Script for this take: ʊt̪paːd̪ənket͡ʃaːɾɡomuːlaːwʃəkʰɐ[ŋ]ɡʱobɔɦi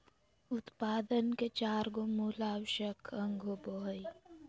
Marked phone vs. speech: correct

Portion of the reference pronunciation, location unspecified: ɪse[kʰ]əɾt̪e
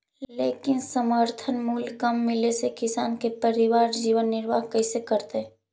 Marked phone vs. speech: incorrect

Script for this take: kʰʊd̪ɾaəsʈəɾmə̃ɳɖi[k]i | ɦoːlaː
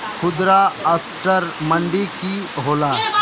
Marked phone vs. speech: correct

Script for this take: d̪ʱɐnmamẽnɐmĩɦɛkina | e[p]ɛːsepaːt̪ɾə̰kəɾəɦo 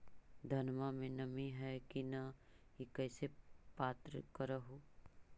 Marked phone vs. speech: incorrect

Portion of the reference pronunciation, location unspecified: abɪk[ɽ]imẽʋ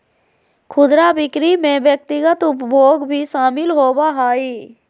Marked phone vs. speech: incorrect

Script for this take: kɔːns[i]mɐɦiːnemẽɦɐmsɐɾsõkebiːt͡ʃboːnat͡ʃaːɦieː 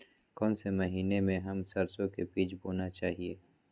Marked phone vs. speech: incorrect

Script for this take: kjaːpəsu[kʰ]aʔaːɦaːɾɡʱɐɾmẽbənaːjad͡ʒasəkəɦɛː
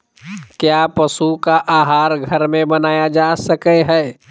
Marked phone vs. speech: incorrect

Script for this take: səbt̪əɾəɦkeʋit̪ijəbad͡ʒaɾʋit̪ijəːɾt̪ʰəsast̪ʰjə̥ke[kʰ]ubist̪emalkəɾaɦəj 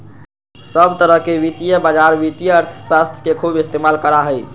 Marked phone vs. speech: correct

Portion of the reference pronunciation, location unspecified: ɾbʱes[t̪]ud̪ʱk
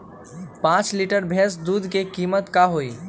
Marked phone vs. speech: incorrect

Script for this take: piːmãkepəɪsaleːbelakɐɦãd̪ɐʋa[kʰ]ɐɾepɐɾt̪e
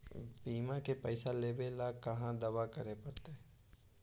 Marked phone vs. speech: incorrect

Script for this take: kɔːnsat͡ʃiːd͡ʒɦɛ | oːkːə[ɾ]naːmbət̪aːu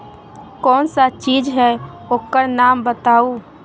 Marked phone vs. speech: correct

